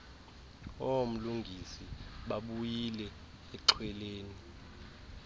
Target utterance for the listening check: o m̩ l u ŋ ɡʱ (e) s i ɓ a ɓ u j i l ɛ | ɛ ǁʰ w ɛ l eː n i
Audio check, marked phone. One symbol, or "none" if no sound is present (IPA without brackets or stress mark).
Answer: i